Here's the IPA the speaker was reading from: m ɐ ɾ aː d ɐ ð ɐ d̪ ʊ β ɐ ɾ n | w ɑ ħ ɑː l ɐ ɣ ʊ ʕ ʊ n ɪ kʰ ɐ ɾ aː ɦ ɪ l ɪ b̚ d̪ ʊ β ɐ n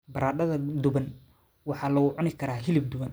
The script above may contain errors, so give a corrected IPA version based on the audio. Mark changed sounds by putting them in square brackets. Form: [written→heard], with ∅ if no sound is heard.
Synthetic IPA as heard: [m→b] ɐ ɾ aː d ɐ ð ɐ d̪ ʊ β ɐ [ɾ→∅] n | w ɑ ħ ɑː l ɐ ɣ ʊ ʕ ʊ n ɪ kʰ ɐ ɾ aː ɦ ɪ l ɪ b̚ d̪ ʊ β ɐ n